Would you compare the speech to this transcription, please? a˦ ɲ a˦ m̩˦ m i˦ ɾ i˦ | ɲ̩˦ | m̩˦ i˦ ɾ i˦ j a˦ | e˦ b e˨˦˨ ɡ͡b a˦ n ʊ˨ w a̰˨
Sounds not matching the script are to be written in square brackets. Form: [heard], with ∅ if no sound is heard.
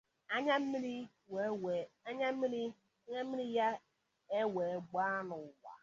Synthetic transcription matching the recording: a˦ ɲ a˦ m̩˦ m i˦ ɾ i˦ | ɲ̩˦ | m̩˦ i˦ ɾ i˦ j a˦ | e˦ [w] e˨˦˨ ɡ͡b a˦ n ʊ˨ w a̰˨